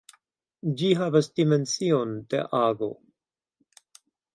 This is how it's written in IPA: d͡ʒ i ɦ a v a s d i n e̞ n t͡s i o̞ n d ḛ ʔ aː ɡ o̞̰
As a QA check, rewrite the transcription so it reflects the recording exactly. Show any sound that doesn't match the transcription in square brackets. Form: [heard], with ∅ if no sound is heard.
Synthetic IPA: d͡ʒ i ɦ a v a s d i [m] e̞ n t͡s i o̞ n d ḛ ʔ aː ɡ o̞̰